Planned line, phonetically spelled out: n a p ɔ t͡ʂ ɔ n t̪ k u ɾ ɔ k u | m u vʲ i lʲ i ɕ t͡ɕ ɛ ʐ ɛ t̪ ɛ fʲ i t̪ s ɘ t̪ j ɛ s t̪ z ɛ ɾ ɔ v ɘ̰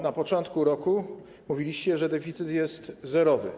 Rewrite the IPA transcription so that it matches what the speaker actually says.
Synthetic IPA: n a p ɔ t͡ʂ ɔ n t̪ k u ɾ ɔ k u | m u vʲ i lʲ i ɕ t͡ɕ ɛ ʐ ɛ d̪ ɛ fʲ i t̪ s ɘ t̪ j ɛ s t̪ z ɛ ɾ ɔ v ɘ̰

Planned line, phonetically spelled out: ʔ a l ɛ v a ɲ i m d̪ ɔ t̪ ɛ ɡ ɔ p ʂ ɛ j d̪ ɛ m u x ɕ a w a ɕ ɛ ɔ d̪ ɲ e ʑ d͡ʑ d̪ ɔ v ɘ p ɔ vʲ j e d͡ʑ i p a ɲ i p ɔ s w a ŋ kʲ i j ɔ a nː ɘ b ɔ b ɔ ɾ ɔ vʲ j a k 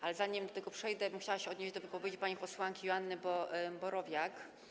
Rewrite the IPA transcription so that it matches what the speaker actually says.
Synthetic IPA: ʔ a l ɛ z a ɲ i m d̪ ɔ t̪ ɛ ɡ ɔ p ʂ ɛ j d̪ ɛ m u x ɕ a w a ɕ ɛ ɔ d̪ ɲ e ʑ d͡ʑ d̪ ɔ v ɘ p ɔ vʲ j e d͡ʑ i p a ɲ i p ɔ s w a ŋ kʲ i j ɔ a nː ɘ b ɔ b ɔ ɾ ɔ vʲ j a k

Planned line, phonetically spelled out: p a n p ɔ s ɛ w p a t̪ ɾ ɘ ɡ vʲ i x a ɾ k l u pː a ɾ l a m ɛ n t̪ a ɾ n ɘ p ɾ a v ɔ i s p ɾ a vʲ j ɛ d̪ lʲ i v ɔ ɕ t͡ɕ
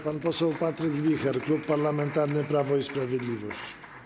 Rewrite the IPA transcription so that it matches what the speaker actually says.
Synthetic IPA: p a n p ɔ s ɛ w p a t̪ ɾ ɘ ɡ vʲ i x ɛ ɾ k l u pː a ɾ l a m ɛ n t̪ a ɾ n ɘ p ɾ a v ɔ i s p ɾ a vʲ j ɛ d̪ lʲ i v ɔ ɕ t͡ɕ

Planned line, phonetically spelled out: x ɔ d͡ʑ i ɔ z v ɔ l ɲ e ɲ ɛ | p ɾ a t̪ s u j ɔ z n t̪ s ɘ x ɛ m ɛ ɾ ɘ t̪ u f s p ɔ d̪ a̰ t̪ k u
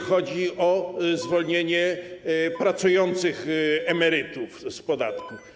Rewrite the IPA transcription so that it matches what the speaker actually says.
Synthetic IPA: x ɔ d͡ʑ i ɔ z v ɔ l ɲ e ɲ ɛ | p ɾ a t̪ s u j ɔ n t̪ s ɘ x ɛ m ɛ ɾ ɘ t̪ u f s p ɔ d̪ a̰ t̪ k u

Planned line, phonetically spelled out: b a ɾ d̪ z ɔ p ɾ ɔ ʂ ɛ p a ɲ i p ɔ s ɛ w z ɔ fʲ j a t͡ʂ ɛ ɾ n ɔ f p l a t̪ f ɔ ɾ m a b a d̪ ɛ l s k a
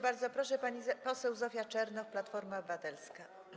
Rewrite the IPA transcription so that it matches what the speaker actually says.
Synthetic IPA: b a ɾ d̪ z ɔ p ɾ ɔ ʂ ɛ p a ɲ i p ɔ s ɛ w z ɔ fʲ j a t͡ʂ ɛ ɾ n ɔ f p l a t̪ f ɔ ɾ m a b a t̪ ɛ l s k a

